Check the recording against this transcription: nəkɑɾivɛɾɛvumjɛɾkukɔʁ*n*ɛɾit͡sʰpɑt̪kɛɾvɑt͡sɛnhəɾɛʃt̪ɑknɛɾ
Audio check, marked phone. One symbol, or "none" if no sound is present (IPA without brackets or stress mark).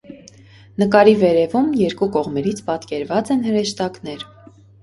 m